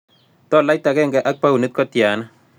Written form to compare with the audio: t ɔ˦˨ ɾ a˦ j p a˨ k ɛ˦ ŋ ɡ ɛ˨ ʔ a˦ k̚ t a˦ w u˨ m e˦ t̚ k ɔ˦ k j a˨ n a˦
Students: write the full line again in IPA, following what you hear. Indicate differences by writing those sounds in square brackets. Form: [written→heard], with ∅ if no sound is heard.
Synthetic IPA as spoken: t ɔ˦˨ [ɾ→l] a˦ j [p→t] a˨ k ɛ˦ ŋ ɡ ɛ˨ ʔ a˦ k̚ [t→p] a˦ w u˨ [m→n] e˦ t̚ k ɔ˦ [k→t] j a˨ n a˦